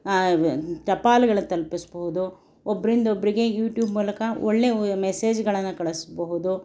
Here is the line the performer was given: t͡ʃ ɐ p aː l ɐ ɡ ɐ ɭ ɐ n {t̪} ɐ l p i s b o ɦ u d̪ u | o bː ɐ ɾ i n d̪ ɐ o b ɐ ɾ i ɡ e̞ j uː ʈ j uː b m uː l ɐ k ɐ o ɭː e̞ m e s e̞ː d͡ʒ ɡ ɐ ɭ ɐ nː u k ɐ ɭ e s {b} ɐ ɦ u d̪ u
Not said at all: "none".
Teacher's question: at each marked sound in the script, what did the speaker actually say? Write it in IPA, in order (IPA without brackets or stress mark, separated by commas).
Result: t̪, b